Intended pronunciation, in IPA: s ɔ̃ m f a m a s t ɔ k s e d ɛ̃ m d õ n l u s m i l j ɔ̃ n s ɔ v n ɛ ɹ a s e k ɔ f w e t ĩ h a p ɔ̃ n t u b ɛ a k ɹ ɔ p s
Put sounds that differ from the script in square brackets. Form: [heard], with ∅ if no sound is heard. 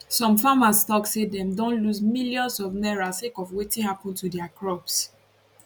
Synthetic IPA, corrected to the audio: s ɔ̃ m f a m a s t ɔ k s e d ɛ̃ m d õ n l u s m i l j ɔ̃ n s ɔ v n ɛ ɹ a s e k ɔ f w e t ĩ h a p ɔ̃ n t u [d] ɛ a k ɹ ɔ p s